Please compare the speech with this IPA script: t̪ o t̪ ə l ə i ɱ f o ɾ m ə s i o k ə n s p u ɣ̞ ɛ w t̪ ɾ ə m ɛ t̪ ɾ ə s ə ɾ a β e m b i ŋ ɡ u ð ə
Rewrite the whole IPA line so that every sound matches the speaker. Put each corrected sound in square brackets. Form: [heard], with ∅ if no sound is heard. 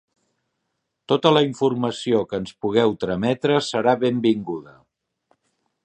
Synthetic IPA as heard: t̪ o t̪ ə l ə i ɱ f [u] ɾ m ə s i o k ə n s p u ɣ̞ ɛ w t̪ ɾ ə m ɛ t̪ ɾ ə s ə ɾ a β e m b i ŋ ɡ u ð ə